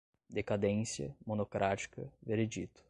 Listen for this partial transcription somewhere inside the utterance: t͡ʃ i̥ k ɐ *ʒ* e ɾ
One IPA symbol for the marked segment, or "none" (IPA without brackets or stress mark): v